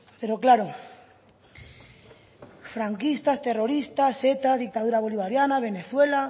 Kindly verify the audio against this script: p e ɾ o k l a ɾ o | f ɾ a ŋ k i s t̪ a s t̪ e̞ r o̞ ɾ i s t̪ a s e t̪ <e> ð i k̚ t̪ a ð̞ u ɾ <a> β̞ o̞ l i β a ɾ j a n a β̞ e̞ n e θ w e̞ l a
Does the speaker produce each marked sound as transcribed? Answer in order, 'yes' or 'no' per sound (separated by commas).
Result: no, yes